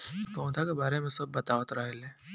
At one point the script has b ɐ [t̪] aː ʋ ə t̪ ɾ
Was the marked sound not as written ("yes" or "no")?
no